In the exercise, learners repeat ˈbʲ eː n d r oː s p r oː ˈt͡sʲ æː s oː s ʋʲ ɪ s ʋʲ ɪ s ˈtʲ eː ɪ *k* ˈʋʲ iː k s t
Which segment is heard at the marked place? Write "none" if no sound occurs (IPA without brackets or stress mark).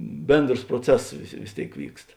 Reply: k